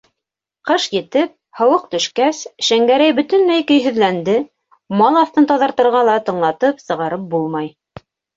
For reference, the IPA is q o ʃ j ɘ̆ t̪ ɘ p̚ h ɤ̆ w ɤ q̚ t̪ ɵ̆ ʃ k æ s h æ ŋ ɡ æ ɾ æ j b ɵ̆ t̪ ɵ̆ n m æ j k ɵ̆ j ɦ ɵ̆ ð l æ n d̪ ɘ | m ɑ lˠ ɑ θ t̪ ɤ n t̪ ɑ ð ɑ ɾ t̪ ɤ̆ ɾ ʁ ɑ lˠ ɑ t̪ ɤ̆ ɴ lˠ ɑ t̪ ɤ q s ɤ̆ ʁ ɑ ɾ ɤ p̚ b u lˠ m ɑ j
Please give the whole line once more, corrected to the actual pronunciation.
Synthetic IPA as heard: q ɤ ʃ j ɘ̆ t̪ ɘ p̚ h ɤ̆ w ɤ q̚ t̪ ɵ̆ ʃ k æ s ʃ æ ŋ ɡ æ ɾ æ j b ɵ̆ t̪ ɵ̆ n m æ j k ɵ̆ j ɦ ɵ̆ ð l æ n d̪ ɘ | m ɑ lˠ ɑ θ t̪ ɤ n t̪ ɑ ð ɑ ɾ t̪ ɤ̆ ɾ ʁ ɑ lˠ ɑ t̪ ɤ̆ ɴ lˠ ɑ t̪ ɤ p s ɤ̆ ʁ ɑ ɾ ɤ p̚ b u lˠ m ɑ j